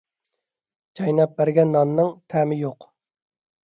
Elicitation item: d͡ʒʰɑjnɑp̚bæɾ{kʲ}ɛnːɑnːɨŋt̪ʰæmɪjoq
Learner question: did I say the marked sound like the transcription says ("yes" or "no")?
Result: no